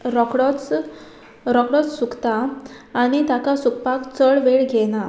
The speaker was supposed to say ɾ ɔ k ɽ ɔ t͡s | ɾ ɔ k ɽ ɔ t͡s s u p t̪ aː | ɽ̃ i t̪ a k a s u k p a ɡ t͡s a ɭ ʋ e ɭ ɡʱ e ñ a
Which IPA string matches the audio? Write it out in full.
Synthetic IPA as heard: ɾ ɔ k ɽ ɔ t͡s | ɾ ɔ k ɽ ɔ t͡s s u k t̪ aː | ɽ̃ i t̪ a k a s u k p a k t͡s ə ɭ ʋ e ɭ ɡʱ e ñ a